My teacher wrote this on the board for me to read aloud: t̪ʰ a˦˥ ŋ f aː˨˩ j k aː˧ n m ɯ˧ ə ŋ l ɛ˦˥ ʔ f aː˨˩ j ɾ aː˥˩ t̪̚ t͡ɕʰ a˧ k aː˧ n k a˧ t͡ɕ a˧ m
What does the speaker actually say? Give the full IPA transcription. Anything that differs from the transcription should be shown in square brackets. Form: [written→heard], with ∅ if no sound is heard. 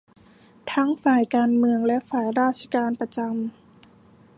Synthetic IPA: t̪ʰ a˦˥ ŋ f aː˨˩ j k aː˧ n m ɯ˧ ə ŋ l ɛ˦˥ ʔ f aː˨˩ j ɾ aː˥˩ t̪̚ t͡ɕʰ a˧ k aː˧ n [k→p] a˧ t͡ɕ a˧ m